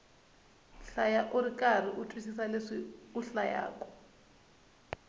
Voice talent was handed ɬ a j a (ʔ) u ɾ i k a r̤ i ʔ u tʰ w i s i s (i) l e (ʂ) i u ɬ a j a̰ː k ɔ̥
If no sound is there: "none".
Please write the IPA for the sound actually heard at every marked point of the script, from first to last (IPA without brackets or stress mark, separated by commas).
ʔ, a, ʂ